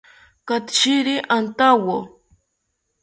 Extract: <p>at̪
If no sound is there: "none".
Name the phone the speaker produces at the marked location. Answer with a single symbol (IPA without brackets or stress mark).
k